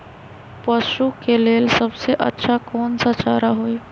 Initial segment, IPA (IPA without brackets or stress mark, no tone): p